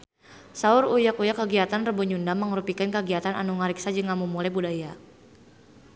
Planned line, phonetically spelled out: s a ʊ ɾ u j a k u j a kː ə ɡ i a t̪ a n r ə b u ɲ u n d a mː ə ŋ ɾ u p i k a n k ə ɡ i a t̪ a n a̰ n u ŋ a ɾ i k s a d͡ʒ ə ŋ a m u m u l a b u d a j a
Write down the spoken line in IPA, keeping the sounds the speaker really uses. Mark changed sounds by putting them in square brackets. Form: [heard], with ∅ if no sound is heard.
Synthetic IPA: s a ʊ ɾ u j a k u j a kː ə ɡ i a t̪ a n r ə b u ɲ u n d a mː ə ŋ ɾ u p i k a n k ə ɡ i a t̪ a n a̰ n u ŋ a ɾ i k s a d͡ʒ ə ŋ a m u m u l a b u d a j a